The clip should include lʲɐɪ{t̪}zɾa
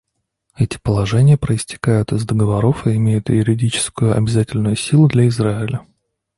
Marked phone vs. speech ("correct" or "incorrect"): incorrect